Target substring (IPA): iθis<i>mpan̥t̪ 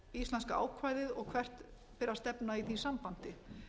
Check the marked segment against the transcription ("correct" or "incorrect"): incorrect